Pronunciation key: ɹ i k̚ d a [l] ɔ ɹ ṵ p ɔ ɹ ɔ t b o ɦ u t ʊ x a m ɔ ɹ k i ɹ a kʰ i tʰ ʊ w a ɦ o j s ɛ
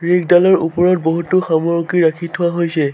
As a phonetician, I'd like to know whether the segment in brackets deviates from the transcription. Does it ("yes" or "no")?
no